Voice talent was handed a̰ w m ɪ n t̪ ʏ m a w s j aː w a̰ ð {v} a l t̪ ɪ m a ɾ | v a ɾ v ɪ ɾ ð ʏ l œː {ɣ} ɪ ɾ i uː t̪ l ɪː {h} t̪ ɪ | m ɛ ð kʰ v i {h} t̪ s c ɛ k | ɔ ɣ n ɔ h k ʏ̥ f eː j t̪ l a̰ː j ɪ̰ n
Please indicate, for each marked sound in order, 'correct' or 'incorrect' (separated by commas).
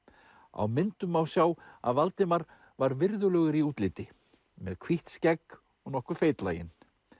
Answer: correct, correct, incorrect, correct